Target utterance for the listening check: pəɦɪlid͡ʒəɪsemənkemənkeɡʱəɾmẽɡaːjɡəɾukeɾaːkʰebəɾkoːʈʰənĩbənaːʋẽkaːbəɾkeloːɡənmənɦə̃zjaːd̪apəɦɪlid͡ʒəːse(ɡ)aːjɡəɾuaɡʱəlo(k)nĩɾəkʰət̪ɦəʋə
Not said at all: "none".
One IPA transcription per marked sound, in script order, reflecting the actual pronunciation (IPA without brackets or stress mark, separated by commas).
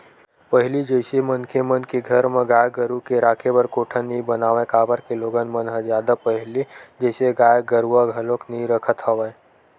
ɡ, k